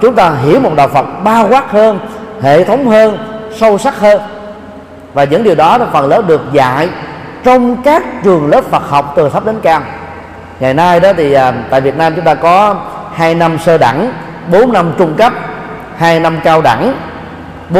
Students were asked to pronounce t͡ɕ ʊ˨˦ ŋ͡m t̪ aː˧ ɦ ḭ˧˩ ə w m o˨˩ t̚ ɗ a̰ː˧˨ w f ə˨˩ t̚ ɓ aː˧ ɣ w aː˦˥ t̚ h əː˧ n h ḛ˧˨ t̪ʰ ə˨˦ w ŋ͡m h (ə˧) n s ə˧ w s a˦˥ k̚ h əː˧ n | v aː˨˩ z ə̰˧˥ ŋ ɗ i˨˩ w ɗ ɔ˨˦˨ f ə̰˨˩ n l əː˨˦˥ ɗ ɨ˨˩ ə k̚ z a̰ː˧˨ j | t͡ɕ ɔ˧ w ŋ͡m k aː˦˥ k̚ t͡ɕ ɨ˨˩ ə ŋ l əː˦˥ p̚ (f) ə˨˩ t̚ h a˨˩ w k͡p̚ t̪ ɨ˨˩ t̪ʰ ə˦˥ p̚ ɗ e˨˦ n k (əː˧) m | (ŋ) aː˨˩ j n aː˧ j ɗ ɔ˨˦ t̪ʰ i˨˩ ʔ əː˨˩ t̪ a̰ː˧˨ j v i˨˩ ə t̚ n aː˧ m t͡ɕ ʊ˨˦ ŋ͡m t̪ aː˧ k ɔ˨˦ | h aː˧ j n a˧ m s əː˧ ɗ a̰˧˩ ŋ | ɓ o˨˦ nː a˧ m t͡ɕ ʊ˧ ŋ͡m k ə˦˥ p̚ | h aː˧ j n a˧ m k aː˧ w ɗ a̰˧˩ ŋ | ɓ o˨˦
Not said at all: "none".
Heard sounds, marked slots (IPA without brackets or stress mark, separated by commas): əː˧, f, aː˧, ŋ